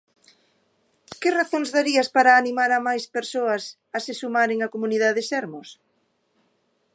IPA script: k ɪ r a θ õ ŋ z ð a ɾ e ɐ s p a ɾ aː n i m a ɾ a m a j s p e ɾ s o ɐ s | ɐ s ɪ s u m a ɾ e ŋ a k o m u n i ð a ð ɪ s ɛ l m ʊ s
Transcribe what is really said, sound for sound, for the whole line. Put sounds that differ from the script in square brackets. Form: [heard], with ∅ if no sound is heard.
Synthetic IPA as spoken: k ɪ r a θ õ ŋ z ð a ɾ [i] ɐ s p a ɾ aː n i m a ɾ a m a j s p e ɾ s o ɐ s | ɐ s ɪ s u m a ɾ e ŋ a k o m u n i ð a ð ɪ s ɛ [ɾ] m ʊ s